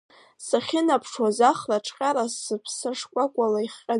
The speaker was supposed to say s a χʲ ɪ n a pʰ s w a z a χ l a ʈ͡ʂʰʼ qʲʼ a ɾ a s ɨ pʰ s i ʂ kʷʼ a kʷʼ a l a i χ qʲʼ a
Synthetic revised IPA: s a χʲ ɪ n a pʰ ʂ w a z a χ l a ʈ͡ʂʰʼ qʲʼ a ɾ a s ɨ pʰ s a ʂ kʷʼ a kʷʼ a l a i χ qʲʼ a